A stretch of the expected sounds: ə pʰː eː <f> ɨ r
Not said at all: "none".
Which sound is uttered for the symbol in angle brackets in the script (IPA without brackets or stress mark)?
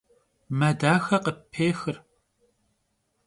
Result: x